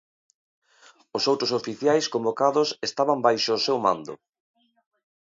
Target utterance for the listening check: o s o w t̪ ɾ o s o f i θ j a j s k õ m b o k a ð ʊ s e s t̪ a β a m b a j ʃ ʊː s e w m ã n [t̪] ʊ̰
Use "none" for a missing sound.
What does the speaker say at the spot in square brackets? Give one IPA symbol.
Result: d̪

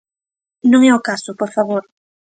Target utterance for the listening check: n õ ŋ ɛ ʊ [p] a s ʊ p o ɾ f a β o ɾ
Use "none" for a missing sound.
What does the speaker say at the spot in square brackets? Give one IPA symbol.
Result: k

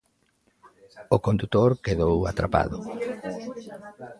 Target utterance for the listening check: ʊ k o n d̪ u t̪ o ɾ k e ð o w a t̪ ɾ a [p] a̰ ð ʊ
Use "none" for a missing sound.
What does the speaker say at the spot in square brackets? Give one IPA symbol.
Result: p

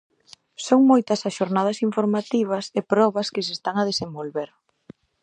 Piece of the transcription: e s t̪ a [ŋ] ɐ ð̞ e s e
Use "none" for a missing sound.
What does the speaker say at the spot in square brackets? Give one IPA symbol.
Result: ŋ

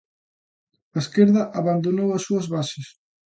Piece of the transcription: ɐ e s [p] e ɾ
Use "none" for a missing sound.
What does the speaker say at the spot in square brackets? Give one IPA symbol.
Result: k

